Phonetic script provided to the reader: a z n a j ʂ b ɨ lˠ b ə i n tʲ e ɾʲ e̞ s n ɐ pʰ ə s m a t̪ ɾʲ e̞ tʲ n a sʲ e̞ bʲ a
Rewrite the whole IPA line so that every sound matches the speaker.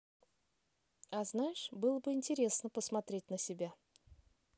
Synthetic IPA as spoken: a z n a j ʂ b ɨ lˠ b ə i n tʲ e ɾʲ e̞ s n ə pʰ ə s m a t̪ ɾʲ e̞ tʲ n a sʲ e̞ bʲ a